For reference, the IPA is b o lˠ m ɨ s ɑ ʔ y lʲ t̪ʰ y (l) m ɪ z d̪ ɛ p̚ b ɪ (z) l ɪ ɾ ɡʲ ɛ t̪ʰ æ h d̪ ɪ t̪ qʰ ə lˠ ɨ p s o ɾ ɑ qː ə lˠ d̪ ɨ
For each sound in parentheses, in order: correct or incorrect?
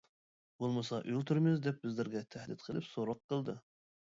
incorrect: ɾ, correct

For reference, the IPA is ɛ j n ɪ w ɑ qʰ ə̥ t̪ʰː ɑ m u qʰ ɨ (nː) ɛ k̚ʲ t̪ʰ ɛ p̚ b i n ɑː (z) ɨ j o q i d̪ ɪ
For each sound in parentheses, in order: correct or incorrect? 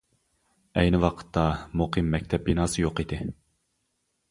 incorrect: mː, incorrect: s

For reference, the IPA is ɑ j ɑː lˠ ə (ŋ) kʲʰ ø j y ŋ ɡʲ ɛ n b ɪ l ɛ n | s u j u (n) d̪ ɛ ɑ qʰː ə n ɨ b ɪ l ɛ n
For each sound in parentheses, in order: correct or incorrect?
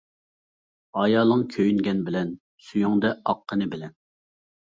correct, incorrect: ŋ

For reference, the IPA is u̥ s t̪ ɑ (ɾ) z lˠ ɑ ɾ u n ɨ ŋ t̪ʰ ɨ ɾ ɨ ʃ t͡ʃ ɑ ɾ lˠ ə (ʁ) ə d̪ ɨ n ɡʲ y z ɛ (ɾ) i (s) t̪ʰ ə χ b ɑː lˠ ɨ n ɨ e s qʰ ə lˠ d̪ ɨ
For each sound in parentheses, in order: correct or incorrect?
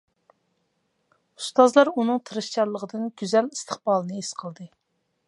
incorrect: none, correct, incorrect: l, correct

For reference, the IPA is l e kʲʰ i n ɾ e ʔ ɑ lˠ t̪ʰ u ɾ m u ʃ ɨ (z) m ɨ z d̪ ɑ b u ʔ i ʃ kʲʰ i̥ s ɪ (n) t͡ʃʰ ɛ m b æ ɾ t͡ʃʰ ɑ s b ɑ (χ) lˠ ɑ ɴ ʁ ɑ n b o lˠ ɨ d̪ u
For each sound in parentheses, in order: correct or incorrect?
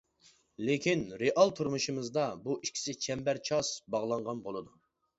incorrect: none, incorrect: none, incorrect: ʁ

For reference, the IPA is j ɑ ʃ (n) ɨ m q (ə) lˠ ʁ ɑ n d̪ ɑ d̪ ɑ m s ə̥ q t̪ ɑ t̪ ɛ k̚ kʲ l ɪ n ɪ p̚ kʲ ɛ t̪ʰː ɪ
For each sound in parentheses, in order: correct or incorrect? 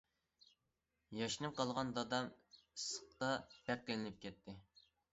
correct, incorrect: ɑ

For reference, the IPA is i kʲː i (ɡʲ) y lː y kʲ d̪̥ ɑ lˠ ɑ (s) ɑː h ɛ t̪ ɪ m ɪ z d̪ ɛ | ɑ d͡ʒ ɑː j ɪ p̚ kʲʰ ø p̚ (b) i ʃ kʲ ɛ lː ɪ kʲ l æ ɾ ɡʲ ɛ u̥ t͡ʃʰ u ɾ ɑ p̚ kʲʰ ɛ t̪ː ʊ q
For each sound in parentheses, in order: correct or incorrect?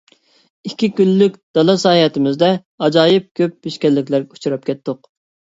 incorrect: kʲ, correct, correct

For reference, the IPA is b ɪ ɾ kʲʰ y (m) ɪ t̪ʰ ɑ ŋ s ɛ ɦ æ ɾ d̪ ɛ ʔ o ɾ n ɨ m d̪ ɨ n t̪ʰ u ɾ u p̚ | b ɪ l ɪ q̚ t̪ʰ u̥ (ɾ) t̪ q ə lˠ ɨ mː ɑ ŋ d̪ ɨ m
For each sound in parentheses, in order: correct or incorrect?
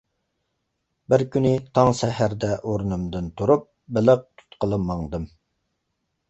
incorrect: n, incorrect: none

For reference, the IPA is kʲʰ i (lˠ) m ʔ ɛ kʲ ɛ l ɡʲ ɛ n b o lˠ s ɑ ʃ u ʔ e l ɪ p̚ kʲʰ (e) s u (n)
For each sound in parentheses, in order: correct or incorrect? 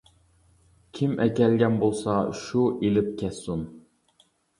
incorrect: none, incorrect: ɛ, correct

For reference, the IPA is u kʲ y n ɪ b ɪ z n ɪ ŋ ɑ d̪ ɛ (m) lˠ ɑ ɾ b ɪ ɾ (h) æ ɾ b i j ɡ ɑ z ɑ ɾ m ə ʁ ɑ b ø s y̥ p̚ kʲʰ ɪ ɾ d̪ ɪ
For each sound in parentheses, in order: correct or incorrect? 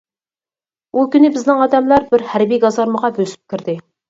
correct, correct

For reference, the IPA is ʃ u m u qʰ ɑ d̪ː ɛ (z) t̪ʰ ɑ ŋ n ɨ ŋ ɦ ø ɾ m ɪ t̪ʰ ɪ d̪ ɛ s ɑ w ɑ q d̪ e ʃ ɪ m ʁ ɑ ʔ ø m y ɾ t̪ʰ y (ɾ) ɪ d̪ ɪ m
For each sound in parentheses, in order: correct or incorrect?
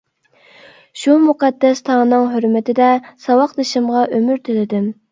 incorrect: s, incorrect: l

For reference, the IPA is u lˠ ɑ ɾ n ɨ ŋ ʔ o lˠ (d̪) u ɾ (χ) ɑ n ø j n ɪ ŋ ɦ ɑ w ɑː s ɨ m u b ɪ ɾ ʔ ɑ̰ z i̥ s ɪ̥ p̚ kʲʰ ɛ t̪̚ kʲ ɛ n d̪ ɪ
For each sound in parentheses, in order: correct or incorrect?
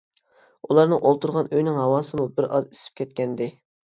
incorrect: t̪, incorrect: ʁ

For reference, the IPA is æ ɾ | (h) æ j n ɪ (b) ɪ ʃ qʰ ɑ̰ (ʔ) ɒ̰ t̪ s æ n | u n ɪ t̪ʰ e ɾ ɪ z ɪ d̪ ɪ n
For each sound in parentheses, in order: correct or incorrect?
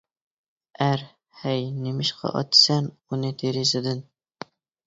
correct, incorrect: m, correct

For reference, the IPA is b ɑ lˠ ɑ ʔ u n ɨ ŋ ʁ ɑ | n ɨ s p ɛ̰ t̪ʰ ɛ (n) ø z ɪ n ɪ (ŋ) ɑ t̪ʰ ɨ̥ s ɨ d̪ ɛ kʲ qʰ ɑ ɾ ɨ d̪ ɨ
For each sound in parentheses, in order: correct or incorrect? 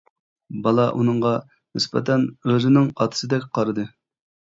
correct, correct

